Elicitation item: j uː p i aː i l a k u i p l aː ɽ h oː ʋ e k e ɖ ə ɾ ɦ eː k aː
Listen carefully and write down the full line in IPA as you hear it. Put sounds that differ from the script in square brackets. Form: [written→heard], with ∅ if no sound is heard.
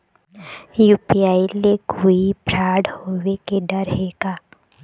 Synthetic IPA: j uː p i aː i l [a→e] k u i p [l→ɾ] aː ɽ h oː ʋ e k e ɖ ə ɾ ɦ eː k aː